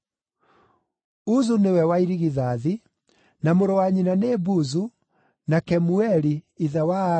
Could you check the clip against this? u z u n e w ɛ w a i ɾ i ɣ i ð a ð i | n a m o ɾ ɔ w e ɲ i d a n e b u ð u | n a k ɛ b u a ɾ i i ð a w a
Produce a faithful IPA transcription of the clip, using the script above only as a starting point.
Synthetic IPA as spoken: u z u n e w ɛ w a i ɾ i ɣ i ð a ð i | n a m o ɾ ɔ w a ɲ i n a n e b u z u | n a k ɛ m u ɛ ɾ i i ð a w a

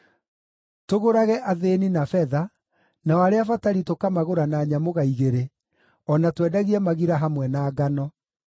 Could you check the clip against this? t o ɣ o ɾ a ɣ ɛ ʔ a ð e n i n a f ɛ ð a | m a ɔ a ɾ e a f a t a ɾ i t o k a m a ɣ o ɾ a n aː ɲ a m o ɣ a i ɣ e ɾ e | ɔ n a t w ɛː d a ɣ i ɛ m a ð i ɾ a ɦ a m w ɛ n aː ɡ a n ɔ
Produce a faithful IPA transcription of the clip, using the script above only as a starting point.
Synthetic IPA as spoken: t o ɣ o ɾ a ɣ ɛ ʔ a ð e n i n a f ɛ ð a | n a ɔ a ɾ e a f a t a ɾ i t o k a m a ɣ o ɾ a n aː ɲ a m o ɣ a i ɣ e ɾ e | ɔ n a t w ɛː d a ɣ i ɛ m a ɣ i ɾ a ɦ a m w ɛ n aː ɡ a n ɔ

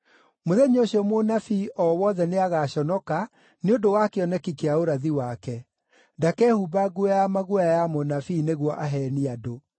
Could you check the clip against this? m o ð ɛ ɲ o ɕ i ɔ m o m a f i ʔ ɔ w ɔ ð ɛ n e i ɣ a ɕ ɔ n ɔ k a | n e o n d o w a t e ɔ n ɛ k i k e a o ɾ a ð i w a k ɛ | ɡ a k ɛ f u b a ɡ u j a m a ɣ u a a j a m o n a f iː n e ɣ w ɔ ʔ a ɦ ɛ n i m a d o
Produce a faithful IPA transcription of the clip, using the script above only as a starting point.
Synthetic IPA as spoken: m o ð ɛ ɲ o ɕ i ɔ m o n a f i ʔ ɔ w ɔ ð ɛ n e a ɣ a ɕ ɔ n ɔ k a | n e o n d o w a k e ɔ n ɛ k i k e a o ɾ a ð i w a k ɛ | d a k ɛ h u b a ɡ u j a m a ɣ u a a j a m o n a f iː n e ɣ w ɔ ʔ a ɦ ɛ n i a d o

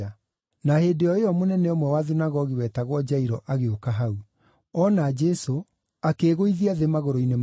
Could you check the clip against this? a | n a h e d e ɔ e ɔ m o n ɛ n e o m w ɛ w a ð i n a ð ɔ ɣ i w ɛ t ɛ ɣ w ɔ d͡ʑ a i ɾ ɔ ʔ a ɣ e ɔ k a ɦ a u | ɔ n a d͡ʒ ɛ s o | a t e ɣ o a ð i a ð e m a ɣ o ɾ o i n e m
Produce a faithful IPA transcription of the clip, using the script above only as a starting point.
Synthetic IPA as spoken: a | n a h e d e ɔ e ɔ m o n ɛ n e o m w ɛ w a ð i n a ɣ ɔ ɣ i w ɛ t a ɣ w ɔ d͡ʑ a i ɾ ɔ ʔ a ɣ e o k a ɦ a u | ɔ n a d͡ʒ ɛ s o | a k e ɣ o i ð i a ð e m a ɣ o ɾ o i n e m

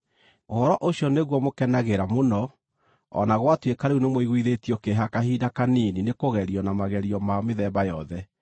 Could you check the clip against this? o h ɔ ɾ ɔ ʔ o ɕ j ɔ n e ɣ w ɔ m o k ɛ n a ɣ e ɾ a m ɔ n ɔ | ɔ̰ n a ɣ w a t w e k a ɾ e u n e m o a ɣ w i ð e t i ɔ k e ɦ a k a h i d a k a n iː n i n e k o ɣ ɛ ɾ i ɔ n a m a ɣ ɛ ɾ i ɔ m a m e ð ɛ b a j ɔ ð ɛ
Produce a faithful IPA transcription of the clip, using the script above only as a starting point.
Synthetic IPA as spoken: o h ɔ ɾ ɔ ʔ o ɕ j ɔ n e ɣ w ɔ m o k ɛ n a ɣ e ɾ a m o n ɔ | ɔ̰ n a ɣ w a t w e k a ɾ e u n e m o i ɣ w i ð e t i ɔ k e ɦ a k a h i d a k a n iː n i n e k o ɣ ɛ ɾ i ɔ n a m a ɣ ɛ ɾ i ɔ m a m e ð ɛ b a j ɔ ð ɛ

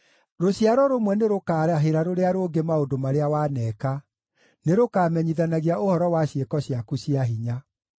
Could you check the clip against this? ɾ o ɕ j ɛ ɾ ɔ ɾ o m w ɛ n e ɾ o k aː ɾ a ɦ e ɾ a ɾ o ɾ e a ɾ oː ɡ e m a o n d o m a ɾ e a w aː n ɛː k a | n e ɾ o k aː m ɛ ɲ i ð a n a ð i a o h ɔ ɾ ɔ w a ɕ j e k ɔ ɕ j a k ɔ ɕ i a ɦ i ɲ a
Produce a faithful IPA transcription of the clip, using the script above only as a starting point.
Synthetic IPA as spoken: ɾ o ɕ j a ɾ ɔ ɾ o m w ɛ n e ɾ o k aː ɾ a ɦ e ɾ a ɾ o ɾ e a ɾ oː ɡ e m a o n d o m a ɾ e a w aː n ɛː k a | n e ɾ o k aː m ɛ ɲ i ð a n a ɣ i a o h ɔ ɾ ɔ w a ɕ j e k ɔ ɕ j a k u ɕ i a ɦ i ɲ a

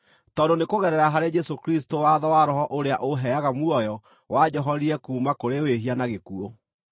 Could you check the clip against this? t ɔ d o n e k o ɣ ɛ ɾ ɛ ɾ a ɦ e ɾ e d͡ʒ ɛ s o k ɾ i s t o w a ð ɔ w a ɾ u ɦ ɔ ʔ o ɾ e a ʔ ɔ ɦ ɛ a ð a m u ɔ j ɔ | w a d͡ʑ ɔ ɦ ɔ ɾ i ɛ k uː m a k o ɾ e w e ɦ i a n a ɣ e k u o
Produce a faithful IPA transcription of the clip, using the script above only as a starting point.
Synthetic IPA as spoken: t ɔ d o n e k o ɣ ɛ ɾ ɛ ɾ a ɦ a ɾ e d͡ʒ ɛ s o k ɾ i s t o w a ð ɔ w a ɾ ɔ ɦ ɔ ʔ o ɾ e a ʔ o ɦ ɛ a ɣ a m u ɔ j ɔ | w a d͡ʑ ɔ ɦ ɔ ɾ i ɛ k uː m a k o ɾ e w e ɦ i a n a ɣ e k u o

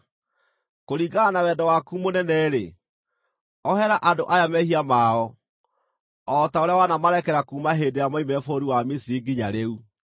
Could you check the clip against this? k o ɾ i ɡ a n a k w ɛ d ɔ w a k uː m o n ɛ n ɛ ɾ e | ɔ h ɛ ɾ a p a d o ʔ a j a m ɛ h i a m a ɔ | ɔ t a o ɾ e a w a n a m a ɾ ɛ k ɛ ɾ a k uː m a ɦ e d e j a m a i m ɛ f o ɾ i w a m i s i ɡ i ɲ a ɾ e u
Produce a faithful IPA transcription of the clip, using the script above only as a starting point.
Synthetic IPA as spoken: k o ɾ i ɡ a n a w ɛ d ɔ w a k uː m o n ɛ n ɛ ɾ e | ɔ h ɛ ɾ a ʔ a d o ʔ a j a m ɛ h i a m a ɔ | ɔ t a o ɾ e a w a n a m a ɾ ɛ k ɛ ɾ a k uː m a ɦ e d e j a m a i m ɛ f o ɾ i w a m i s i ɡ i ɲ a ɾ e u

